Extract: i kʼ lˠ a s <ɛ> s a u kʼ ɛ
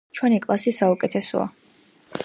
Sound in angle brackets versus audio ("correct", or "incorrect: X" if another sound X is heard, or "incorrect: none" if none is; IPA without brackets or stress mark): incorrect: i